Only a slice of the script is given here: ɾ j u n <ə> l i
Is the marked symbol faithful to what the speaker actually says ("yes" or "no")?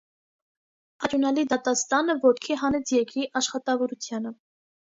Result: no